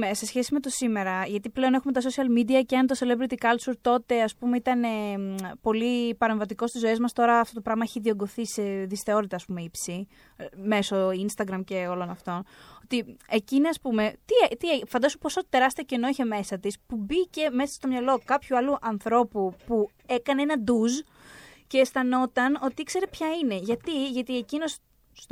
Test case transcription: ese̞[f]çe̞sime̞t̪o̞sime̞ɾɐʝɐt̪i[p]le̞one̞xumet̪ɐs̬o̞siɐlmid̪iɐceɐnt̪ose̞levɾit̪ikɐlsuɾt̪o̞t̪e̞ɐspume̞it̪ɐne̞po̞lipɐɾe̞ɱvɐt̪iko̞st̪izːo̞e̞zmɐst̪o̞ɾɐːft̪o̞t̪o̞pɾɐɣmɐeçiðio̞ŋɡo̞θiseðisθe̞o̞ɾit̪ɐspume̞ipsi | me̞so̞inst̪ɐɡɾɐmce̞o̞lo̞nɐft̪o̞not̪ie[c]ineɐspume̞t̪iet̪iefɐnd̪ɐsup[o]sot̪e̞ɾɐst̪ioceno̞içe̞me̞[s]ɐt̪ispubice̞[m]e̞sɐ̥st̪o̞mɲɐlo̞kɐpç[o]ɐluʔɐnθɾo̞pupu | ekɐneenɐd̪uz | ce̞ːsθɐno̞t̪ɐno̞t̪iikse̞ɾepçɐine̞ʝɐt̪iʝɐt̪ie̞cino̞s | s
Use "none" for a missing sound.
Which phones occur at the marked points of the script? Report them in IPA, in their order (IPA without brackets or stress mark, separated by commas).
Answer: s, p, c, o, s, m, u